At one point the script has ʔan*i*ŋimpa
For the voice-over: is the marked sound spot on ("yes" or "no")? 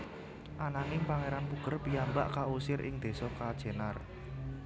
no